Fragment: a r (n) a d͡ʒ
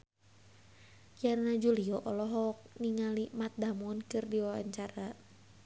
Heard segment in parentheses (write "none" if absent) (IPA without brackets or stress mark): n